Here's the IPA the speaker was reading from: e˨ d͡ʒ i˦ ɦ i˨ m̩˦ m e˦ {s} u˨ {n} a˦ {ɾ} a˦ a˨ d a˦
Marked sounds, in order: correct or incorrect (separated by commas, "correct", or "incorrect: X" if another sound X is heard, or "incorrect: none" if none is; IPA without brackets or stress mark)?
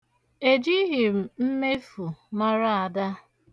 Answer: incorrect: f, incorrect: m, correct